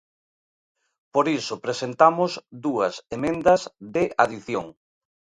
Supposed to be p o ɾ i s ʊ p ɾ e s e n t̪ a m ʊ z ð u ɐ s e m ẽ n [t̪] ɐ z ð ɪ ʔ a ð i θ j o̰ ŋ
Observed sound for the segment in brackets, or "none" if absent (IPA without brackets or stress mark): d̪